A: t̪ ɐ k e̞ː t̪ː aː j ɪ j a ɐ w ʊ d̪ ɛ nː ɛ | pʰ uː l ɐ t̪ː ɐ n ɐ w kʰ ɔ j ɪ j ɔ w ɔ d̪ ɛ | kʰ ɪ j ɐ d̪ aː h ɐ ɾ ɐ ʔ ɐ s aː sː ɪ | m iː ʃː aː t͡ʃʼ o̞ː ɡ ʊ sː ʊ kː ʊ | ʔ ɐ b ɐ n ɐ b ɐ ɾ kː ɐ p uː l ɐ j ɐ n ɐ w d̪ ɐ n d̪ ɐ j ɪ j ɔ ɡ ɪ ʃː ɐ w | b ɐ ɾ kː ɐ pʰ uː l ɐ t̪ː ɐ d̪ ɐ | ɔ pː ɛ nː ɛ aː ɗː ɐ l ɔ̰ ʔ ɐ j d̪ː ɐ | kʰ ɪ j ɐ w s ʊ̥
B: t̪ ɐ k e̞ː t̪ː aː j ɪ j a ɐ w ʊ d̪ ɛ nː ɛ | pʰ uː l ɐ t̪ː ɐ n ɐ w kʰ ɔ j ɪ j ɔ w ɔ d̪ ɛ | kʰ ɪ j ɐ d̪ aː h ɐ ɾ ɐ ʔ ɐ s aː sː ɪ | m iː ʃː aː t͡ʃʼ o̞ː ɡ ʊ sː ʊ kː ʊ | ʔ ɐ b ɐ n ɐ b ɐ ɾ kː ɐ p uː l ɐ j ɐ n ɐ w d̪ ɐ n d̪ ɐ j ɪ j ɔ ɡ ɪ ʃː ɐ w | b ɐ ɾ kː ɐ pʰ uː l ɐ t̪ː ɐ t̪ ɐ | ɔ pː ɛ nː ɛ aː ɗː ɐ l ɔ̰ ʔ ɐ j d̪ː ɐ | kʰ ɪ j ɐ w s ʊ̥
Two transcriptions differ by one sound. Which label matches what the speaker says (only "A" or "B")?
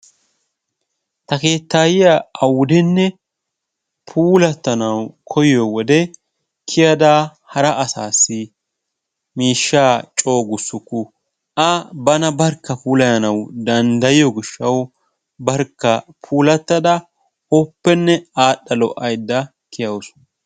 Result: A